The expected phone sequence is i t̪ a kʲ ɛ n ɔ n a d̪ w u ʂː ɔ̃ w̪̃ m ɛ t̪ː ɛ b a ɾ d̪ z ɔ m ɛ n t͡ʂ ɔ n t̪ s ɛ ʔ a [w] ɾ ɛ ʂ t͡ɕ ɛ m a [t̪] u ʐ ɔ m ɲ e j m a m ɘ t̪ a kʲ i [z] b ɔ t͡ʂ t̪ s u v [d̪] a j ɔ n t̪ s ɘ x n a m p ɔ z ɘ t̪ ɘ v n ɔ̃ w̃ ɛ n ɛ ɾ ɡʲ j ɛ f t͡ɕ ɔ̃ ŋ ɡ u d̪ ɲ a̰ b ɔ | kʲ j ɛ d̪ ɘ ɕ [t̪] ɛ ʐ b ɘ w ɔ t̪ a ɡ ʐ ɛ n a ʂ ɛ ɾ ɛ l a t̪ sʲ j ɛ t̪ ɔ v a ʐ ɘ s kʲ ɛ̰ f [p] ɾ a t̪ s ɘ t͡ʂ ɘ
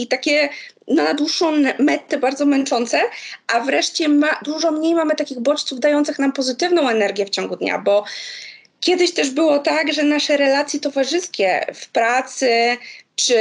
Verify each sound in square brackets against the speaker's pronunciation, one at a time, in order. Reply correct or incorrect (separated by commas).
incorrect, incorrect, incorrect, correct, correct, correct